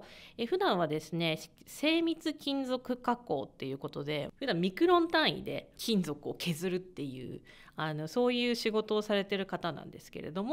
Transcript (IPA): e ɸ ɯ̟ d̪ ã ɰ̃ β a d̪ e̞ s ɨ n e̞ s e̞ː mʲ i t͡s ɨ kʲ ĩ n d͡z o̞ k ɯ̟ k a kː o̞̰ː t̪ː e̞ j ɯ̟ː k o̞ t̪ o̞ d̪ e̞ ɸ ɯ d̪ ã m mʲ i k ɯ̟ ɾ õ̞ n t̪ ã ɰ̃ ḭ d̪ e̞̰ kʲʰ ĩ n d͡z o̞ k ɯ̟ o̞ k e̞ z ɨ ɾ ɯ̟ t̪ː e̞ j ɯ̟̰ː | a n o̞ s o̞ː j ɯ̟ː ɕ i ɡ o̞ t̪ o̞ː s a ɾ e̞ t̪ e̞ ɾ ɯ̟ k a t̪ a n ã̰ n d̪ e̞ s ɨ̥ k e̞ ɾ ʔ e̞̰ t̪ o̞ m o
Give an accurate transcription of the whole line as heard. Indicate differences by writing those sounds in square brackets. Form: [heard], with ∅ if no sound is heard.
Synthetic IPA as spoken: e ɸ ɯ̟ d̪ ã ɰ̃ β a d̪ e̞ s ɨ n e̞ s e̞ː mʲ i t͡s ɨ kʲ ĩ n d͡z o̞ k ɯ̟ k a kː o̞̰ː t̪ː e̞ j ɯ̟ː k o̞ t̪ o̞ d̪ e̞ ɸ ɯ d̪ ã m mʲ i k ɯ̟ ɾ õ̞ n t̪ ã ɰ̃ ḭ d̪ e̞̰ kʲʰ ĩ n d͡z o̞ k ɯ̟ o̞ k e̞ z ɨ ɾ ɯ̟ t̪ː e̞ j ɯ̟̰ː | a n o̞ s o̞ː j ɯ̟ː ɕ i ɡ o̞ t̪ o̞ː s a ɾ e̞ t̪ e̞ ɾ ɯ̟ k a t̪ a n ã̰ n d̪ e̞ s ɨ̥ k e̞ ɾ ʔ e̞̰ [d̪] o̞ m o